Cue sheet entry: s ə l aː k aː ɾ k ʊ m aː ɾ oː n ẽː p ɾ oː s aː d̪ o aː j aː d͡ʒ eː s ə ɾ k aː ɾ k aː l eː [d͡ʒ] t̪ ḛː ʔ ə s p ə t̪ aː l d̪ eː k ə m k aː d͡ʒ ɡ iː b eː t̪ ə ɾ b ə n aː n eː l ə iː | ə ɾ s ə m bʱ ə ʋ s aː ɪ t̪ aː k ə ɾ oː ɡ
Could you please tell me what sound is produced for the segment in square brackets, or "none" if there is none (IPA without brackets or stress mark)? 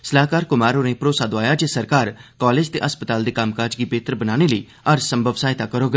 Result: d͡ʒ